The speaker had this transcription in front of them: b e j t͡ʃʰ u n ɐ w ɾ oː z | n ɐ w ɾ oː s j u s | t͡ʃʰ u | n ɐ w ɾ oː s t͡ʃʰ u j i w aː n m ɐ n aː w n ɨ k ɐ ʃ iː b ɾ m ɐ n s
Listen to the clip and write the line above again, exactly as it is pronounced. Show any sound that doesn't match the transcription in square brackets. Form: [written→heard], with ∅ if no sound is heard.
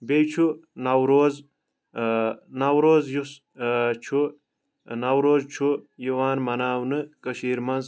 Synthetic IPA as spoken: b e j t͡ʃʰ u n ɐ w ɾ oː z | n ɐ w ɾ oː [s→z] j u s | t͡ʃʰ u | n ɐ w ɾ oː [s→z] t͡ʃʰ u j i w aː n m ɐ n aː w n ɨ k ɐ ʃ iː [b→∅] ɾ m ɐ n [s→z]